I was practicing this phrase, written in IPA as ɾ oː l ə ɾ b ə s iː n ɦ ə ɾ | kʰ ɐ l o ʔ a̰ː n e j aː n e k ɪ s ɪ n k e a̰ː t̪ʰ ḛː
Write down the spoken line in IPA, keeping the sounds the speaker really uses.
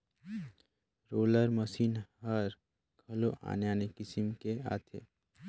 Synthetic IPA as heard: ɾ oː l ə ɾ m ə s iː n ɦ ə ɾ | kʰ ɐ l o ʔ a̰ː n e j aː n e k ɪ s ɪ m k e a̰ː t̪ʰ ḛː